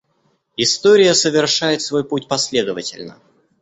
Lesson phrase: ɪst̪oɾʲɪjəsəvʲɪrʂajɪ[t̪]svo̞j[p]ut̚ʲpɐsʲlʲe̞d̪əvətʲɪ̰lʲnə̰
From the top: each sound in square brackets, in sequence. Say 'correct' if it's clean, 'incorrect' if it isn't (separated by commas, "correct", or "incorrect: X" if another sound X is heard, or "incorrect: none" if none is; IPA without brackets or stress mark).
correct, correct